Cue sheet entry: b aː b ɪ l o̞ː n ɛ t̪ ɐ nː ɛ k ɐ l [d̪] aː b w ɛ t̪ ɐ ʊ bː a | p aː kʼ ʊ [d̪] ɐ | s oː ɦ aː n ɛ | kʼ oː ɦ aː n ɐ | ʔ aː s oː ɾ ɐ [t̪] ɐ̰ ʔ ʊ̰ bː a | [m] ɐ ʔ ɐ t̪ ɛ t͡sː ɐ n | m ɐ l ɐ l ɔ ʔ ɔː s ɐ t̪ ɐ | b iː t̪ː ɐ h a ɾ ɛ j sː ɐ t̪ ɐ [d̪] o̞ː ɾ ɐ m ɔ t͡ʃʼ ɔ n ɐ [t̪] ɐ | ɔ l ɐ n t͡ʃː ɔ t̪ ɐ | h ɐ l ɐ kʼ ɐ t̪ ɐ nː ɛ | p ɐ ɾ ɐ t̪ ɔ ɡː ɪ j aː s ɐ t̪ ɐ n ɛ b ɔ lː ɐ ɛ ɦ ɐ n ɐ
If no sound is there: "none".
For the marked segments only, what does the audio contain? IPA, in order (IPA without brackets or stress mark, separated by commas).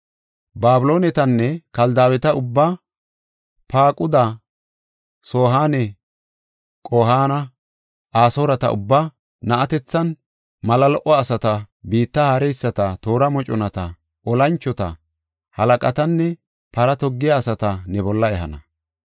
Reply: d̪, d̪, t̪, n, t̪, t̪